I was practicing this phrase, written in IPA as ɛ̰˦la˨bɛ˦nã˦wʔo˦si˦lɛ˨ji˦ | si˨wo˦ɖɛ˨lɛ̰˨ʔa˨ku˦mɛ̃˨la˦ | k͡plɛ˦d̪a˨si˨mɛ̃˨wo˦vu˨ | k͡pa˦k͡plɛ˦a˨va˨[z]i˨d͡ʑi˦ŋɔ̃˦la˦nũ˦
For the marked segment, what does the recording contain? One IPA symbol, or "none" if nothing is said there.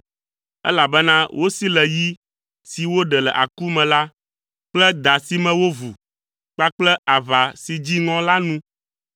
s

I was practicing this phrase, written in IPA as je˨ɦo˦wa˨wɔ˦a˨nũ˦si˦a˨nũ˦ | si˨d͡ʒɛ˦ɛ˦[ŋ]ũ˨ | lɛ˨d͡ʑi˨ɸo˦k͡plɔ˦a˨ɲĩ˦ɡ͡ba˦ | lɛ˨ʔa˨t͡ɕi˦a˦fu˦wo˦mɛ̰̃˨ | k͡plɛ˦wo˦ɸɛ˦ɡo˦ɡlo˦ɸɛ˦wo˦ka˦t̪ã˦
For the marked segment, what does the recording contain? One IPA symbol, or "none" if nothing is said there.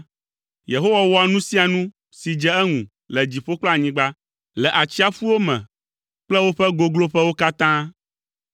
ŋ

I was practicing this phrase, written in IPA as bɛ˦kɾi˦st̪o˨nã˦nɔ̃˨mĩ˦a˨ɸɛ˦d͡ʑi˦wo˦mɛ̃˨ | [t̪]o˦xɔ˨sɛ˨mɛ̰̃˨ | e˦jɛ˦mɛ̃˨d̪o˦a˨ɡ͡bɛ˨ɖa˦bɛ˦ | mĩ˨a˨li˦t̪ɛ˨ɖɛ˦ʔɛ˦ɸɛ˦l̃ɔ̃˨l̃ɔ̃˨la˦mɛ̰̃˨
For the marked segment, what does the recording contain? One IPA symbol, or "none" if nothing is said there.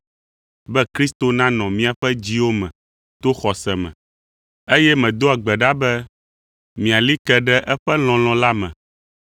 t̪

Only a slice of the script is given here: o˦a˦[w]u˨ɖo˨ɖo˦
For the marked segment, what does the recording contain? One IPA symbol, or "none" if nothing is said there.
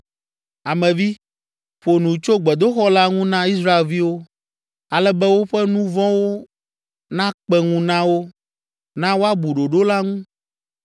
b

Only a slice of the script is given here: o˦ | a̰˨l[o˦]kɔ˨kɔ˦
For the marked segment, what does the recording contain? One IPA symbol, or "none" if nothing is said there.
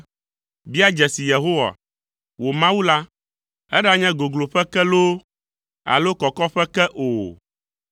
o˦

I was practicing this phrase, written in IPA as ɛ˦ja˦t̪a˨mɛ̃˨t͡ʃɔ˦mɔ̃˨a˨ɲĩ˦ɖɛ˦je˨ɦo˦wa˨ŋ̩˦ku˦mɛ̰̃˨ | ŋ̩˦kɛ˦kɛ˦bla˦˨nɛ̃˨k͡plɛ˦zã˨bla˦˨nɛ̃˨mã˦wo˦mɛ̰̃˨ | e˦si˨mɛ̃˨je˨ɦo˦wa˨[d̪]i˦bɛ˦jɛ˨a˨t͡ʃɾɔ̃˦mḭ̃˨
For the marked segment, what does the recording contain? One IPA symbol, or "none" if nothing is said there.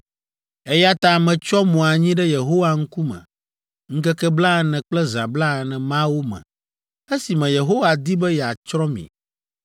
d̪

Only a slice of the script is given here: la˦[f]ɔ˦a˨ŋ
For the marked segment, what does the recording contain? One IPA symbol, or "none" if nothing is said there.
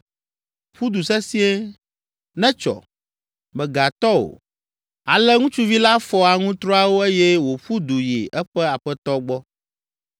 f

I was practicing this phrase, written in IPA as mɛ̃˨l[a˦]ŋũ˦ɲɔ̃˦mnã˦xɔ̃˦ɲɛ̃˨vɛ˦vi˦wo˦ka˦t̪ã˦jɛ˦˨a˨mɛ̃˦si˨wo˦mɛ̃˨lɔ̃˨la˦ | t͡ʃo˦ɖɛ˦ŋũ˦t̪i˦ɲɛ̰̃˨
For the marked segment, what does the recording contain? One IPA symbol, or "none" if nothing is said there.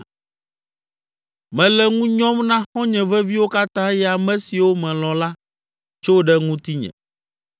ɛ˦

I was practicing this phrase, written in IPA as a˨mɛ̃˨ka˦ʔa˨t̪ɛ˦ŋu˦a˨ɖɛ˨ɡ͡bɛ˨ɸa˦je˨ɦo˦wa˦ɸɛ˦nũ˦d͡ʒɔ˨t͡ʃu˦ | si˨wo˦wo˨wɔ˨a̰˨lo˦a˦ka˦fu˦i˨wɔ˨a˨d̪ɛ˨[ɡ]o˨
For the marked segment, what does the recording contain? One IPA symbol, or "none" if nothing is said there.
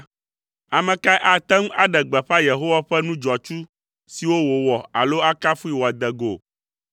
ɡ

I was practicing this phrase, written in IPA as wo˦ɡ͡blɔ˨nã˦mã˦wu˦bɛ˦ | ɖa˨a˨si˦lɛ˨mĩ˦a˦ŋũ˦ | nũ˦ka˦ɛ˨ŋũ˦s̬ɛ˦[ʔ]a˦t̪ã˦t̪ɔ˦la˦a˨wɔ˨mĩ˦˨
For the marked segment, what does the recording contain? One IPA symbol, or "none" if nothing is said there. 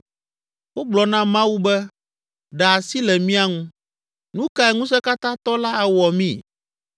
k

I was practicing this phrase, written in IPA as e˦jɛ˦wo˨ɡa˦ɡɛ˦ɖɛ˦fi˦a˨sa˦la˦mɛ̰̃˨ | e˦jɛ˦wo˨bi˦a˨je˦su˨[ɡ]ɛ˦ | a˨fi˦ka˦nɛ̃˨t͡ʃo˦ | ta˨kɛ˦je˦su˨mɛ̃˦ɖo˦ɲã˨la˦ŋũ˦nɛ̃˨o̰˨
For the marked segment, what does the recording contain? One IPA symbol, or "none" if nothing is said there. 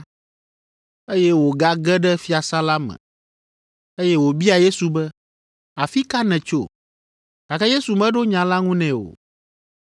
b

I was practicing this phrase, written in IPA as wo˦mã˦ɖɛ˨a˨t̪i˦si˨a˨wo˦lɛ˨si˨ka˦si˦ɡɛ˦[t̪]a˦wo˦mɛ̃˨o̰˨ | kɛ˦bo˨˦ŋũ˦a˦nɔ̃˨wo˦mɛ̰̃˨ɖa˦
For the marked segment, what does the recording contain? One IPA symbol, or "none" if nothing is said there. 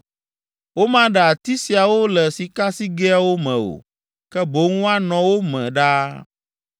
none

